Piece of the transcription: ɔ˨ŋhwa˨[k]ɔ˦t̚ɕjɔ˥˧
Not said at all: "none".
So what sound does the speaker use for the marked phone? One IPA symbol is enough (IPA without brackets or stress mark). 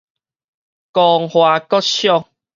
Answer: k